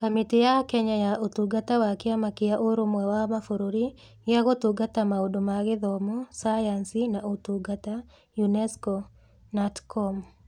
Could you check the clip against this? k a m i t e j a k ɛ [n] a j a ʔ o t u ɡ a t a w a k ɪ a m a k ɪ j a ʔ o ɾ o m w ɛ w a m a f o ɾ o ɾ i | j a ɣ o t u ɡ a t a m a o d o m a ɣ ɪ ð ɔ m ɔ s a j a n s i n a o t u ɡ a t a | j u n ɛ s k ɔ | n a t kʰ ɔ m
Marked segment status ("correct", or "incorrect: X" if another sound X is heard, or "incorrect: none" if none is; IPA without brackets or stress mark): incorrect: ɲ